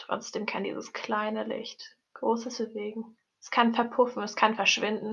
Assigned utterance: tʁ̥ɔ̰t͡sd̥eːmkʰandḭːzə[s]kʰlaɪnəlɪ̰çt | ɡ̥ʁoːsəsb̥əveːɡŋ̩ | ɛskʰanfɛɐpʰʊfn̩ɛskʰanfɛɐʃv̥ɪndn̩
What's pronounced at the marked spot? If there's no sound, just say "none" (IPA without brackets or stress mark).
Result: s